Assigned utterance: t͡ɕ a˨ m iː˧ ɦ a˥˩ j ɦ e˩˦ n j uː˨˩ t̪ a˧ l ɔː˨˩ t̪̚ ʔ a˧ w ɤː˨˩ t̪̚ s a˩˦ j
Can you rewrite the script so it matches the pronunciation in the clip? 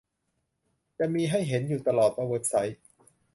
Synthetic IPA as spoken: t͡ɕ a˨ m iː˧ ɦ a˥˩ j ɦ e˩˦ n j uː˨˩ t̪ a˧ l ɔː˨˩ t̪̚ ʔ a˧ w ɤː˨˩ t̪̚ s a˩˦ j